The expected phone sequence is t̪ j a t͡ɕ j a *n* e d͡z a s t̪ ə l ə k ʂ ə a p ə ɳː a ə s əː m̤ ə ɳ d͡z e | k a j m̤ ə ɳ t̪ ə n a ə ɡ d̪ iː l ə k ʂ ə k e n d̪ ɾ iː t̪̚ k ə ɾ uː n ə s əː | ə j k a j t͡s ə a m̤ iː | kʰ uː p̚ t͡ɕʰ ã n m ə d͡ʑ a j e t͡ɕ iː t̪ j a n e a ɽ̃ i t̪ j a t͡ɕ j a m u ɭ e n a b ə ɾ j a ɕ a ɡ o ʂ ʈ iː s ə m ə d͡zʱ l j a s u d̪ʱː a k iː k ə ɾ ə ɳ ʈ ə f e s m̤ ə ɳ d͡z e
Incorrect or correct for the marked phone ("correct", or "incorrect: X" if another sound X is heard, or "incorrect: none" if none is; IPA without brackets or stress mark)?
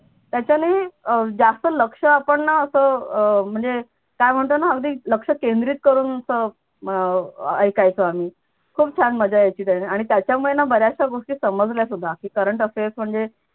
correct